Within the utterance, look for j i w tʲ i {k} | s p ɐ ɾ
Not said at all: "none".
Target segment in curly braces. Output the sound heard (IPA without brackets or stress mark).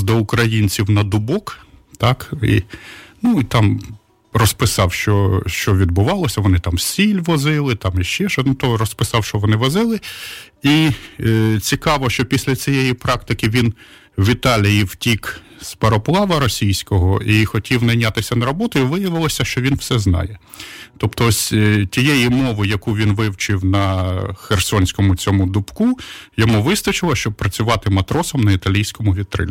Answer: k